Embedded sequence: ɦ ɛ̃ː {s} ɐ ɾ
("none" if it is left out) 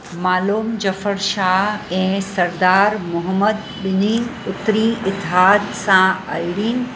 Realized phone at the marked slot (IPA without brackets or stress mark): s